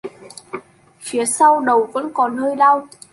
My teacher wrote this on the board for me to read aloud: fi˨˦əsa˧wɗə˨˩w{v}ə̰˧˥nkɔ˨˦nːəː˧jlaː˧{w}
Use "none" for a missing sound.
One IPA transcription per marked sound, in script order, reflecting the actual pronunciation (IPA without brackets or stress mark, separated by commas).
v, w